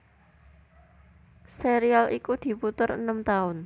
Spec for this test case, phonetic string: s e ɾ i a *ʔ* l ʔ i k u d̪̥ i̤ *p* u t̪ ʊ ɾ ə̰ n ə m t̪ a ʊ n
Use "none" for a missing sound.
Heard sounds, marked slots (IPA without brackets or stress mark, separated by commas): none, p